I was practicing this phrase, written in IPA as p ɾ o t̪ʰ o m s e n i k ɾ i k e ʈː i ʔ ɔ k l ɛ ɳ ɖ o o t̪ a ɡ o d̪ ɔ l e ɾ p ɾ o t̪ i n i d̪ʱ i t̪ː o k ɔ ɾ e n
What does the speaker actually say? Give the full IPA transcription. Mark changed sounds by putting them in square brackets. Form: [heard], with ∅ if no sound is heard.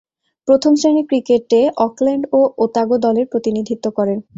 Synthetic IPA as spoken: p ɾ o t̪ʰ o m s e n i k ɾ i k e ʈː [e] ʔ ɔ k l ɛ ɳ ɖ o o t̪ a ɡ o d̪ ɔ l e ɾ p ɾ o t̪ i n i d̪ʱ i t̪ː o k ɔ ɾ e n

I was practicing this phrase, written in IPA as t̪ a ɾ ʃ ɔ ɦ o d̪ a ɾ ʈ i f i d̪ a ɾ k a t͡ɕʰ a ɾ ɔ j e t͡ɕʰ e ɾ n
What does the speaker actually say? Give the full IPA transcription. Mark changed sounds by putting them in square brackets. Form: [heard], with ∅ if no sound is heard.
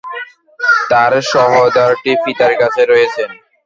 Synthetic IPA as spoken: t̪ a ɾ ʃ ɔ ɦ o d̪ a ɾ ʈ i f i [t̪] a ɾ k a t͡ɕʰ [e] ɾ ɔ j e t͡ɕʰ e [∅] n

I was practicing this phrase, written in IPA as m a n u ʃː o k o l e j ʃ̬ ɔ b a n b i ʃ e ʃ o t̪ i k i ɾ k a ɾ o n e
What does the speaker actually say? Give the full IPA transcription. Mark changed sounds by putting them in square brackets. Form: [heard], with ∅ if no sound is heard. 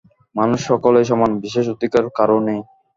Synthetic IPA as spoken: m a n u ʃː [ɔ] k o l e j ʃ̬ ɔ [m] a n b i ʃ e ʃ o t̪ i k [a] ɾ k a ɾ o n e

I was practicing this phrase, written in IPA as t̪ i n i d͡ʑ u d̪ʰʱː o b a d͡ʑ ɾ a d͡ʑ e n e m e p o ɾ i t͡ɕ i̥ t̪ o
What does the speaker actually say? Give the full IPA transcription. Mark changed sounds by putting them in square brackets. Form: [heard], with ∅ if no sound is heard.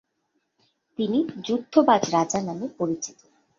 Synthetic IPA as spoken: t̪ i n i d͡ʑ u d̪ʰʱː o b a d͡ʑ ɾ a d͡ʑ [a] n [a] m e p o ɾ i t͡ɕ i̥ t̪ o

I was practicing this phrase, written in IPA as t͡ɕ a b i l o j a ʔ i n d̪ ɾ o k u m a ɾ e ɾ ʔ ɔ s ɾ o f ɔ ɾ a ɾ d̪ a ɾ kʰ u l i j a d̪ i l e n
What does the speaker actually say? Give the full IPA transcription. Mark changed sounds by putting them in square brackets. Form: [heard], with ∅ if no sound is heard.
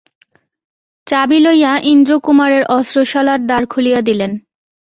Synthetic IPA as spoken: t͡ɕ a b i l o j a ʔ i n d̪ ɾ o k u m a ɾ e ɾ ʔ ɔ s ɾ o [ʃ] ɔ [l] a ɾ d̪ a ɾ kʰ u l i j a d̪ i l e n

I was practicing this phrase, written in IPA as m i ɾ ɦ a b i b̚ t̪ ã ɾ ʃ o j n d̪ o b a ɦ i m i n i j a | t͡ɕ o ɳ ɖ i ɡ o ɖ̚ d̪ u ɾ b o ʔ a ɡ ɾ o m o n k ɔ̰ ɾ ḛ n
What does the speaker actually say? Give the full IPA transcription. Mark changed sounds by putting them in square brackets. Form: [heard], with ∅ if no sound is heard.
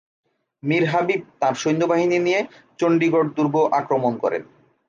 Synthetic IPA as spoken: m i ɾ ɦ a b i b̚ t̪ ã ɾ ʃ o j n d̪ o b a ɦ i [n] i n i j [e] | t͡ɕ o ɳ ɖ i ɡ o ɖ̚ d̪ u ɾ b o ʔ a [k] ɾ o m o n k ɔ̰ ɾ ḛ n

